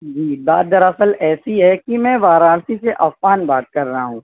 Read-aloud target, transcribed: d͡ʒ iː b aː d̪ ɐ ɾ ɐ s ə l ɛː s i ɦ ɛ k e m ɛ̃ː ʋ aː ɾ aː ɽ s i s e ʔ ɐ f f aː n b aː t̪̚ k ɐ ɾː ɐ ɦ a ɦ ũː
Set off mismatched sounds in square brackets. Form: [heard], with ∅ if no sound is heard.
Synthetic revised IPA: d͡ʒ iː b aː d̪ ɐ ɾ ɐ s ə l ɛː s i ɦ ɛ k [i] m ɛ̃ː ʋ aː ɾ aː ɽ s i s e ʔ ɐ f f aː n b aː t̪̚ k ɐ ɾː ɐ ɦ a ɦ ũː